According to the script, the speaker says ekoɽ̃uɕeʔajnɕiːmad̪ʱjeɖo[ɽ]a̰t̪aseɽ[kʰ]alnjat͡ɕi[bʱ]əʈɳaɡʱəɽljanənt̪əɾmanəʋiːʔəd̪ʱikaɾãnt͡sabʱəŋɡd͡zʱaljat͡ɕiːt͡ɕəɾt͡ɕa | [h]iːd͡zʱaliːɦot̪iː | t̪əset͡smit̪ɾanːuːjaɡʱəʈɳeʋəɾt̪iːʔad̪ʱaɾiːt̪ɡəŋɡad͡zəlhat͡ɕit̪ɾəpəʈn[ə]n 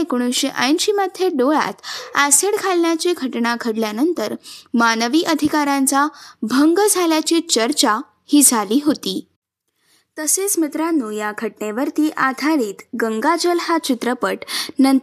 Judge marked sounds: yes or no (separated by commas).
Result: no, yes, no, yes, yes